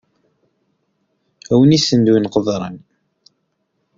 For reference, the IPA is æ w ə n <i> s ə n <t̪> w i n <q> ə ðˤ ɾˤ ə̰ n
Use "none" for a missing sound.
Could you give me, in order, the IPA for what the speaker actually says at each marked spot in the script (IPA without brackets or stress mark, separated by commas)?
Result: i, d̪, q